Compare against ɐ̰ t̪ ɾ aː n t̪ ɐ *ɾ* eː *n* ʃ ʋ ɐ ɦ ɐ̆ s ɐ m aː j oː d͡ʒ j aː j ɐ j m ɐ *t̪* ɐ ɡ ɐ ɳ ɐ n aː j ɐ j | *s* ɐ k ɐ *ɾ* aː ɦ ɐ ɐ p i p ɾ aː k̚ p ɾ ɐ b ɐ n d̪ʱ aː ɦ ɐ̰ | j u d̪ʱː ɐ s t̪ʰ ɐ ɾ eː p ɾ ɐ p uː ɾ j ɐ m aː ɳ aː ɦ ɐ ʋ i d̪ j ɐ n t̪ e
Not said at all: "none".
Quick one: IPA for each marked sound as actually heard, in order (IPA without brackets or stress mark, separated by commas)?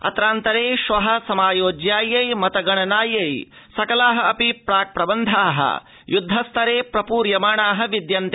ɾ, none, t̪, s, l